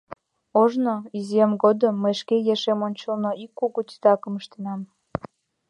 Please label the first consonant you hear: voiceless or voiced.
voiced